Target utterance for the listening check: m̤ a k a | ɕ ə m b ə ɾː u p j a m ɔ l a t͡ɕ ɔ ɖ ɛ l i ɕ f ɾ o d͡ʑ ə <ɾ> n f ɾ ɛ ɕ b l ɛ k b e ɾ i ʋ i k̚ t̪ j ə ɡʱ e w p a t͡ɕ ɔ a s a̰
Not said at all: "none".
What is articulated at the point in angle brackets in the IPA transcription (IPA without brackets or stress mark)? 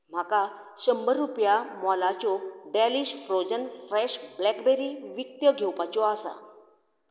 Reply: none